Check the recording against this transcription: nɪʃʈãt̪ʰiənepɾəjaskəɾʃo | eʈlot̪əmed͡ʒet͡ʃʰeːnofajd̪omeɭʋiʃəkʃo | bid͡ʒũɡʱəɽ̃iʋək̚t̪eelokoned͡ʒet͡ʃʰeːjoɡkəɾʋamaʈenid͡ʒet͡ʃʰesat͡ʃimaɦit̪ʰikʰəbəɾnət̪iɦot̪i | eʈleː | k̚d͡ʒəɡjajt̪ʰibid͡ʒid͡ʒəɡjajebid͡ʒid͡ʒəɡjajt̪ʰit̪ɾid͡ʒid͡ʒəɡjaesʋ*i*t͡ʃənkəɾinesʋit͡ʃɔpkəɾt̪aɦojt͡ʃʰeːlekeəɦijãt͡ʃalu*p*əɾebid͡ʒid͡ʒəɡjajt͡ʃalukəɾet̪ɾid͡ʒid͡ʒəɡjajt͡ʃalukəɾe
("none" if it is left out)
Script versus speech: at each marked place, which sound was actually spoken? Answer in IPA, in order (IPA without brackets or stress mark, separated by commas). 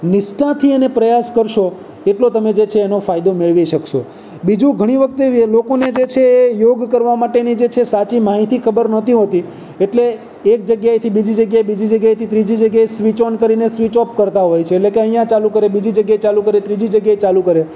i, k